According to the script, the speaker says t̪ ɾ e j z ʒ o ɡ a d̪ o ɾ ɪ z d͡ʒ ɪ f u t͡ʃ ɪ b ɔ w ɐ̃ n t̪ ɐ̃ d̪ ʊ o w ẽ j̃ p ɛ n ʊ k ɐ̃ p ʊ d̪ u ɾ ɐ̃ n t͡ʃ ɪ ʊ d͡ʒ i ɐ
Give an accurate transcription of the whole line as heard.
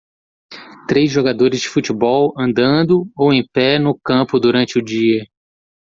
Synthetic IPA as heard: t̪ ɾ e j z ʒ o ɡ a d̪ o ɾ ɪ z d͡ʒ ɪ f u t͡ʃ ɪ b ɔ w ɐ̃ n d̪ ɐ̃ d̪ ʊ o w ẽ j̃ p ɛ n ʊ k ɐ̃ p ʊ d̪ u ɾ ɐ̃ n t͡ʃ ɪ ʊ d͡ʒ i ɐ